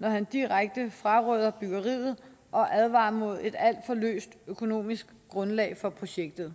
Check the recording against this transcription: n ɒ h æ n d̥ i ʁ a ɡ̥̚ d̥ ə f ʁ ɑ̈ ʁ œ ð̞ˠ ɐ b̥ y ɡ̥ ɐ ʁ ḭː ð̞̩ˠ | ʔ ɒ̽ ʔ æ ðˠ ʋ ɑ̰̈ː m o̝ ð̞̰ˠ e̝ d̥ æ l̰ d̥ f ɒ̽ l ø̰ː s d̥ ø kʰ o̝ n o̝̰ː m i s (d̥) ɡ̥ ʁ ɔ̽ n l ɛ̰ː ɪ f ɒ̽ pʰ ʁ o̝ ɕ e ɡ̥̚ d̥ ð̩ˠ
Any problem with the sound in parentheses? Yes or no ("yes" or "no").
yes